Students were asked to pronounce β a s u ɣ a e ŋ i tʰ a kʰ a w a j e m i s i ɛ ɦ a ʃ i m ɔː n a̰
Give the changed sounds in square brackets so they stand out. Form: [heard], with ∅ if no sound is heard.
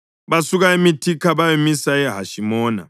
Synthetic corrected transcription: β a s u ɣ a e [m] i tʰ [i] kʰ a [β] a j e m i s [a] ɛ ɦ a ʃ i m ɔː n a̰